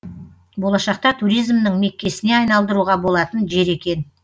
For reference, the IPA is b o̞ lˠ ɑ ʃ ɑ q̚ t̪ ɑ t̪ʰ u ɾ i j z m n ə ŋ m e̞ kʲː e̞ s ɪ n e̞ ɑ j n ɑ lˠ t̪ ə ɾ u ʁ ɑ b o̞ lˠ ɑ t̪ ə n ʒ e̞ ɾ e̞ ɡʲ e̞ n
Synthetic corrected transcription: b o̞ lˠ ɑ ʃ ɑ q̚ t̪ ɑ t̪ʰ u ɾ i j z m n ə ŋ m e̞ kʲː e̞ s ɪ n e̞ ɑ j n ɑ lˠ d̪ ə ɾ u ʁ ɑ b o̞ lˠ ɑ t̪ ə n ʒ e̞ ɾ e̞ kʲ e̞ n